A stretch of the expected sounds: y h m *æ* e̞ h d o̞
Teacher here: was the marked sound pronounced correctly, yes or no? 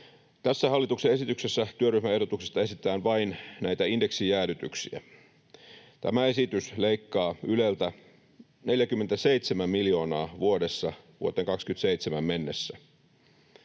yes